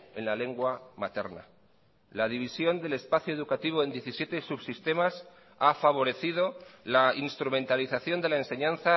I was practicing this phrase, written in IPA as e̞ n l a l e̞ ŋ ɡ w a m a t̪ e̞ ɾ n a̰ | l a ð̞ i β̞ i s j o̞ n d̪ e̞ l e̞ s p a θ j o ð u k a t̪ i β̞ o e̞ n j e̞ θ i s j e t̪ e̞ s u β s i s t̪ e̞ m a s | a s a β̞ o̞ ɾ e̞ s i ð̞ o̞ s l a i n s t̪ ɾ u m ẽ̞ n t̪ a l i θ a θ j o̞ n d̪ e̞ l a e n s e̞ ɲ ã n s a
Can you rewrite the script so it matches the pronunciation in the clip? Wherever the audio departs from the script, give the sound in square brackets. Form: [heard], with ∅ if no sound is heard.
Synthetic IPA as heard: e̞ n l a l e̞ ŋ ɡ w a m a t̪ e̞ ɾ n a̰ | l a ð̞ i β̞ i s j o̞ n d̪ e̞ l e̞ s p a θ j o ð u k a t̪ i β̞ o e̞ n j e̞ θ i s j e t̪ e̞ s u β s i s t̪ e̞ m a s | a [f] a β̞ o̞ ɾ e̞ [θ] i ð̞ o̞ [∅] l a i n s t̪ ɾ u m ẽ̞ n t̪ a l i θ a θ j o̞ n d̪ e̞ l a e n s e̞ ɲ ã n [θ] a

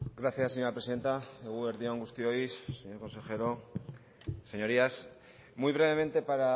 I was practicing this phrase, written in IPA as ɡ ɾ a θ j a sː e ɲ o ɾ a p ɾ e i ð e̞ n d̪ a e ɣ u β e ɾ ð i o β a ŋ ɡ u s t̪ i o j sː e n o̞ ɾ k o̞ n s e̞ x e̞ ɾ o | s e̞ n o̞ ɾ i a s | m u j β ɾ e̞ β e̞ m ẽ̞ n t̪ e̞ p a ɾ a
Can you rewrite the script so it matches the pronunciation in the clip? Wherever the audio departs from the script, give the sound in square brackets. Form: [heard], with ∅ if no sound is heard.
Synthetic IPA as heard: ɡ ɾ a θ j a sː e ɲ o ɾ a p ɾ e i ð e̞ n [t̪] a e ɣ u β e ɾ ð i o [∅] a ŋ ɡ u s t̪ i o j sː e [ɲ] o̞ ɾ k o̞ n s e̞ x e̞ ɾ o | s e̞ [ɲ] o̞ ɾ i a s | m u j β ɾ e̞ β e̞ m ẽ̞ n t̪ e̞ p a ɾ a

